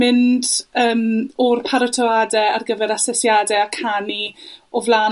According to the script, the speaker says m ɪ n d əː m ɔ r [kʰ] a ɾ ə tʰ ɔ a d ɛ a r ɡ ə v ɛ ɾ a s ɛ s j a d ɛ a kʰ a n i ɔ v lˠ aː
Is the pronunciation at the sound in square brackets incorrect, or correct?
incorrect: pʰ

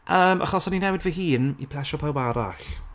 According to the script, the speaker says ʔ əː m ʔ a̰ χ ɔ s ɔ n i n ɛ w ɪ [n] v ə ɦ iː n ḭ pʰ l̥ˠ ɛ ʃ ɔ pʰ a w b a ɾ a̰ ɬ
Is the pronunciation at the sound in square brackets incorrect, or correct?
incorrect: d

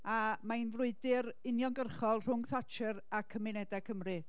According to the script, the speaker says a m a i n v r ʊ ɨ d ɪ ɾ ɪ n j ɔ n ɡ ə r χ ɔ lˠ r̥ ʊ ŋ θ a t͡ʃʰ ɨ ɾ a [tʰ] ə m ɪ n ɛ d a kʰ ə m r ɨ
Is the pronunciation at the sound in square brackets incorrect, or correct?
incorrect: kʰ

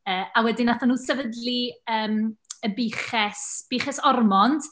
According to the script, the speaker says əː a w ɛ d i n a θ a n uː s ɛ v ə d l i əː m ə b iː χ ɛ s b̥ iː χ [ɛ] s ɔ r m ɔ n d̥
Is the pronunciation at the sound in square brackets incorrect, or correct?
correct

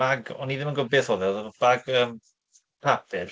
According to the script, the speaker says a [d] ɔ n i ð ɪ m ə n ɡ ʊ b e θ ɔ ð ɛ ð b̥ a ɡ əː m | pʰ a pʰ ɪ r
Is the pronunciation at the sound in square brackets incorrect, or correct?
incorrect: ɡ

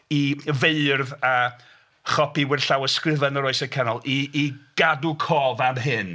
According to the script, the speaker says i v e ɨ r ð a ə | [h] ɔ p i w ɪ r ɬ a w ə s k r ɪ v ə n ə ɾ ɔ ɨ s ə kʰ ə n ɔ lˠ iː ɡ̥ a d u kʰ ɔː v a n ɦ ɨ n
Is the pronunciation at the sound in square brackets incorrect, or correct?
incorrect: χ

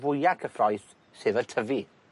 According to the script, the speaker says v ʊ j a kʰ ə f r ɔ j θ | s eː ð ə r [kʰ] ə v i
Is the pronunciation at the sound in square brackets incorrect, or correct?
incorrect: tʰ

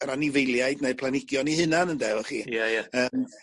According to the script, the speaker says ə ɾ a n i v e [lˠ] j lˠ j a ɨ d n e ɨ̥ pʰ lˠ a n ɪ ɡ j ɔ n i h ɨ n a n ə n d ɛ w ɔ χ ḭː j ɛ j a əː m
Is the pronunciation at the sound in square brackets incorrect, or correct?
incorrect: none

